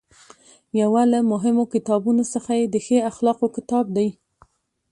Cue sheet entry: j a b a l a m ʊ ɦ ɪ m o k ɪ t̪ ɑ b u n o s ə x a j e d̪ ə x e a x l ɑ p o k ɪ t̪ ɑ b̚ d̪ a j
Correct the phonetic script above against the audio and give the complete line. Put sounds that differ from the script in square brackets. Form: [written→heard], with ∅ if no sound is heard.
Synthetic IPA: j a [b→w] a l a m ʊ ɦ ɪ m o k ɪ t̪ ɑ b u n o s ə x a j e d̪ ə x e a x l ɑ [p→q] o k ɪ t̪ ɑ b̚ d̪ a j